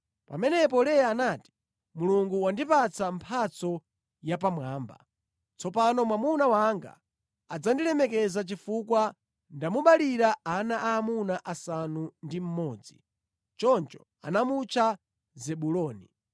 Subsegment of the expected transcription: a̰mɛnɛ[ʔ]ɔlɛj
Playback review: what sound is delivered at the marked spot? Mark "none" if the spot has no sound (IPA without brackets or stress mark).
p